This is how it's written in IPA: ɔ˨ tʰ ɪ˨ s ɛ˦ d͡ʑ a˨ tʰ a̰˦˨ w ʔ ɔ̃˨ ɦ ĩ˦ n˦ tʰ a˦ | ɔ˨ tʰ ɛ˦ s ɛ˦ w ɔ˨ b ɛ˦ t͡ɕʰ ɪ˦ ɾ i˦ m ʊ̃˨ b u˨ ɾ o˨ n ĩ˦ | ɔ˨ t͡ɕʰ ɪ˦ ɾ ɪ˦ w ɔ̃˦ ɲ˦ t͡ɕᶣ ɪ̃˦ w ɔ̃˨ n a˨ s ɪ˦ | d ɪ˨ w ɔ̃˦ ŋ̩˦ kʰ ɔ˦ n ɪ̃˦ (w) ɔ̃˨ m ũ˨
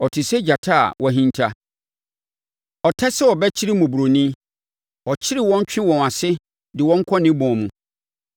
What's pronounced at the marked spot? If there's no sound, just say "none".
b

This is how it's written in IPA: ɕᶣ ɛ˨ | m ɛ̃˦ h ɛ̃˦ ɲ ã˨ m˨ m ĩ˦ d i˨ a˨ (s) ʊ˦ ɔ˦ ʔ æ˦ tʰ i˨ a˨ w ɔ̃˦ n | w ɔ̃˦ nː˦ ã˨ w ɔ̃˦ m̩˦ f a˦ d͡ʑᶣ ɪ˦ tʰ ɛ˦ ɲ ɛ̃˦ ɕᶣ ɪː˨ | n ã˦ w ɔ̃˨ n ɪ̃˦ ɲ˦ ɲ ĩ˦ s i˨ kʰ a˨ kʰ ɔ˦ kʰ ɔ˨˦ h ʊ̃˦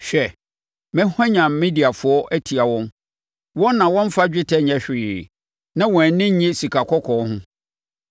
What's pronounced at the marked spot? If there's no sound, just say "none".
f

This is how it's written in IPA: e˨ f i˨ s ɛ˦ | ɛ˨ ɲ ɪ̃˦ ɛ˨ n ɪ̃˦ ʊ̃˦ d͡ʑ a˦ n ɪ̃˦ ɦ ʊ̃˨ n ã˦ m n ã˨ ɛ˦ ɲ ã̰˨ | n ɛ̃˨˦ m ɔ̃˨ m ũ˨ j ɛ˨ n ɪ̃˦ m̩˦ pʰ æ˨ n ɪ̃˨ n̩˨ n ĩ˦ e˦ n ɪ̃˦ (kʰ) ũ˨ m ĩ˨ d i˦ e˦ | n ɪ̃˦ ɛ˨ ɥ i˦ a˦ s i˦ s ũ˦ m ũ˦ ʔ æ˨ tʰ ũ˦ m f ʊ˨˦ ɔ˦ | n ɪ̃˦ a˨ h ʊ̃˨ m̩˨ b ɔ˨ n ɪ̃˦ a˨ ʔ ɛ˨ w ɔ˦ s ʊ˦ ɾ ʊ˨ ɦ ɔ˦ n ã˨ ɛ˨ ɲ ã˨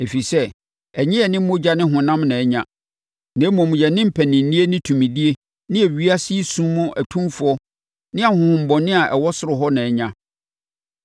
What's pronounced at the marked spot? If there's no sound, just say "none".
tʰ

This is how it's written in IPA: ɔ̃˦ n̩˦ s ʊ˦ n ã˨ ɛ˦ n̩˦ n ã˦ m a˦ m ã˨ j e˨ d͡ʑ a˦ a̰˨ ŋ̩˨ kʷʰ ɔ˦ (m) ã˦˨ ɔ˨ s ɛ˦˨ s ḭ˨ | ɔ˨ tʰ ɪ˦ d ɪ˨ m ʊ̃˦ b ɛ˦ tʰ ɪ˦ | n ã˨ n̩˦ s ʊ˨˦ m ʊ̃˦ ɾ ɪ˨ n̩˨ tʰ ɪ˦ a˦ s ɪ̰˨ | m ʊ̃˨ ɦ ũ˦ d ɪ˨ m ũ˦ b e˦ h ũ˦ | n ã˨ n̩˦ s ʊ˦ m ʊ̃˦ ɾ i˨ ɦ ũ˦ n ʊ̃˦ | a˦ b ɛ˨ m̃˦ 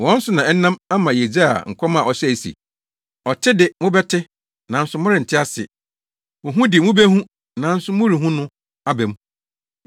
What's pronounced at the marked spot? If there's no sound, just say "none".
m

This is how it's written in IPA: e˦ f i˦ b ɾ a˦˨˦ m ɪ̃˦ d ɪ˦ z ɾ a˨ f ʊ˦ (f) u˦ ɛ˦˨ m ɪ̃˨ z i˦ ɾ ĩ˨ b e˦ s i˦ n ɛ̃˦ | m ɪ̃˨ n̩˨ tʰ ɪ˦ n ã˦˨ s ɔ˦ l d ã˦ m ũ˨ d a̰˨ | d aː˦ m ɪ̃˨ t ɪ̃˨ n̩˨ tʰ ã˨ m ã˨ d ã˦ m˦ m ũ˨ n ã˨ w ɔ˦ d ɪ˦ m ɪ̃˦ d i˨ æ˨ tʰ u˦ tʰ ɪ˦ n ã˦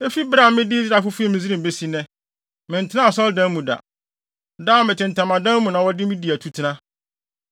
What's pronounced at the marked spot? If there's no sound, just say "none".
f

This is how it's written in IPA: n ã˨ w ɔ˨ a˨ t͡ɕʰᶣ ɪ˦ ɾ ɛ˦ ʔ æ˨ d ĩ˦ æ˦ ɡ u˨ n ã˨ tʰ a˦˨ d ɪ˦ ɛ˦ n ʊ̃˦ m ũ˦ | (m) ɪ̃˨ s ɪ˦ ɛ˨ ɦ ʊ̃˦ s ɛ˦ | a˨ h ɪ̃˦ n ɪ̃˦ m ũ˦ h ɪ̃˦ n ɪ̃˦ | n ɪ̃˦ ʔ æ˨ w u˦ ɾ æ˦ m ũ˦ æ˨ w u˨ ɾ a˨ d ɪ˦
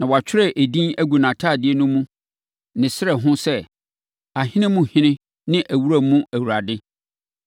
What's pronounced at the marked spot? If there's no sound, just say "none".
n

